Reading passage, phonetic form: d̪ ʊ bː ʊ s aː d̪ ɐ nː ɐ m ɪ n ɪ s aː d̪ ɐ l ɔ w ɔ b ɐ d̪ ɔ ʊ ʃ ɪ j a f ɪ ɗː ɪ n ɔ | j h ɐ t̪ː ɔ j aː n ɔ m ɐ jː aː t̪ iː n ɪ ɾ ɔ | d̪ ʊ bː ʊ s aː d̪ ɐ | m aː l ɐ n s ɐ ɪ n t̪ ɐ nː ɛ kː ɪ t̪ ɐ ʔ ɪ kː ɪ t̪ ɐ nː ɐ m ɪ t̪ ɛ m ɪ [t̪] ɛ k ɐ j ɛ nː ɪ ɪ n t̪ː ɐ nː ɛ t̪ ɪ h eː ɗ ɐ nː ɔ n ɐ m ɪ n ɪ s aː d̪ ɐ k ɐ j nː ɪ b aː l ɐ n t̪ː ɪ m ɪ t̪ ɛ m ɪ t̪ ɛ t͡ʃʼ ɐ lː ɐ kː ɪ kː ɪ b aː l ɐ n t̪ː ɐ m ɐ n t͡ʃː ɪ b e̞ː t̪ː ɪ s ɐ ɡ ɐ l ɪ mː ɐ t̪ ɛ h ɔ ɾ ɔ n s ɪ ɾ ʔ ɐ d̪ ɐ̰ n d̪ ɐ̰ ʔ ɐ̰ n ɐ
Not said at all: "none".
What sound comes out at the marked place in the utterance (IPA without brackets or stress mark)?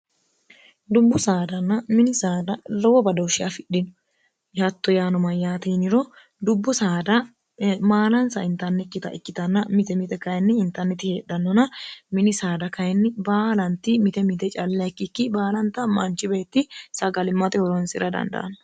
t̪